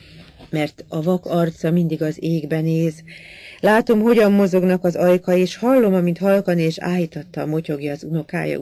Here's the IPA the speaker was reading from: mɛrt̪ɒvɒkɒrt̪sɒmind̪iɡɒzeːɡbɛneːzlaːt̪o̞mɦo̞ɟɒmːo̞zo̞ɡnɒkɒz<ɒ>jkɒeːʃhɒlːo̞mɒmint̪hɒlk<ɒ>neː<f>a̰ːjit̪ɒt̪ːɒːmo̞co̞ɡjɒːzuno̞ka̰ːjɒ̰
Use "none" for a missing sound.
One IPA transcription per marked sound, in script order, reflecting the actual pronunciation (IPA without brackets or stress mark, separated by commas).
ɒ, ɒ, ʃ